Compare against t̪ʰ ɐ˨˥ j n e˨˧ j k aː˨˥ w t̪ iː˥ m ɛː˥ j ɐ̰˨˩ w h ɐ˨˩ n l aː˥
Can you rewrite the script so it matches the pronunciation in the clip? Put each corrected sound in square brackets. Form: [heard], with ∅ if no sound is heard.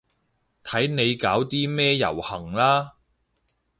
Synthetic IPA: t̪ʰ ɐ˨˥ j n e˨˧ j k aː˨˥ w t̪ iː˥ m ɛː˥ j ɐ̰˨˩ w h ɐ˨˩ [ŋ] l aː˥